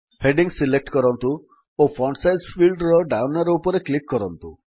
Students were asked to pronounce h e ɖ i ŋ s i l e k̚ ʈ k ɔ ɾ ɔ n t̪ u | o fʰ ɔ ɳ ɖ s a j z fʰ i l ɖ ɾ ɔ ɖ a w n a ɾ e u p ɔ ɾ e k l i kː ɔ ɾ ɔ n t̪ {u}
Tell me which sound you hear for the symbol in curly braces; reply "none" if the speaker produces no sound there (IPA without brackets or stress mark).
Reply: u